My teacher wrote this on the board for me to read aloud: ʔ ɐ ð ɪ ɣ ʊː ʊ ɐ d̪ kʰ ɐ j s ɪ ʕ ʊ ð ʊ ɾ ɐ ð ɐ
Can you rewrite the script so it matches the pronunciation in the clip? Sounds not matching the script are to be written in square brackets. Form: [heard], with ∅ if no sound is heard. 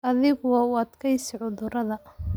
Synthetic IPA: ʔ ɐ ð ɪ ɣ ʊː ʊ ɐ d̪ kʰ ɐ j s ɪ ʕ ʊ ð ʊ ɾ ɐ ð ɐ